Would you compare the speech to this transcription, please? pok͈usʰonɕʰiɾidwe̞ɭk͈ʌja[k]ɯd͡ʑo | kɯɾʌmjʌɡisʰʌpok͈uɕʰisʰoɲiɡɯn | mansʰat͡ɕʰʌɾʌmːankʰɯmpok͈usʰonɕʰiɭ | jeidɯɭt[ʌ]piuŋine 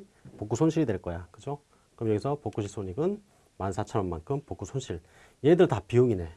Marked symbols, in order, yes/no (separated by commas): yes, no